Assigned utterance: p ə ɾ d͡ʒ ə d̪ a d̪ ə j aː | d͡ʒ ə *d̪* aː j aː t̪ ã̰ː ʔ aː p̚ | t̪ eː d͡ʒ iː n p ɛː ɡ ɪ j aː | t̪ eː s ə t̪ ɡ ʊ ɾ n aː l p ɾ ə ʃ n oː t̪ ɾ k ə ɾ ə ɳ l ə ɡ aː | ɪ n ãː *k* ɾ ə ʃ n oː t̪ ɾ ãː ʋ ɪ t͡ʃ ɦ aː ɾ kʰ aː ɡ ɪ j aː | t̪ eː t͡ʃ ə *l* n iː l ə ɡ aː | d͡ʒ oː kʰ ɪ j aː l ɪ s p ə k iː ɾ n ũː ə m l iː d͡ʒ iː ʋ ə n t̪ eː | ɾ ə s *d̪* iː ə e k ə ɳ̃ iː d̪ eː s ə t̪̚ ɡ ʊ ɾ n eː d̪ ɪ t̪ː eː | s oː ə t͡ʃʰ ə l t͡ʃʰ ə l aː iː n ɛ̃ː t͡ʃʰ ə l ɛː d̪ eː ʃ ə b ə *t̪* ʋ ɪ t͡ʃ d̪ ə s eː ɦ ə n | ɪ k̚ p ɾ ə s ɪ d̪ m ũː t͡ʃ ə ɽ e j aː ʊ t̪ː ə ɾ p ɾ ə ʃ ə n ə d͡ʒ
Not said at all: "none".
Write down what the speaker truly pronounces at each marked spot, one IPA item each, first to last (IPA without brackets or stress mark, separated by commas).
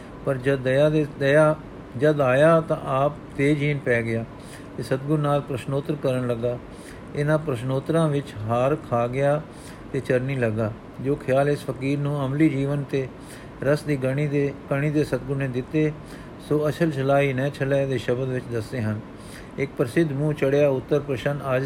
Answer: d̪, p, ɾ, d̪, d̪